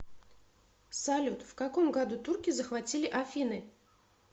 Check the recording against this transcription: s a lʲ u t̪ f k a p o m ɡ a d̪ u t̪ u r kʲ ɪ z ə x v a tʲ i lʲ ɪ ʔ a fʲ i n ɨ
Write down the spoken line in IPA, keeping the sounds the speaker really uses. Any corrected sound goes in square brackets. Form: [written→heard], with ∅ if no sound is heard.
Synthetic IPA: s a lʲ u t̪ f k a [p→k] o m ɡ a d̪ u t̪ u r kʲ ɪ z ə x v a tʲ i lʲ ɪ ʔ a fʲ i n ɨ